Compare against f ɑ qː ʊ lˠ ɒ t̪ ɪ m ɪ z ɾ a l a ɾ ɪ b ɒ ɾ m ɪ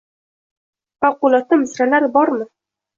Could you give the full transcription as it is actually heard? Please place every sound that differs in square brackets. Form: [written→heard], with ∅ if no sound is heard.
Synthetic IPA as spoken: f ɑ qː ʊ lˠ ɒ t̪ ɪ m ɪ [z→s] ɾ a l a ɾ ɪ b ɒ ɾ m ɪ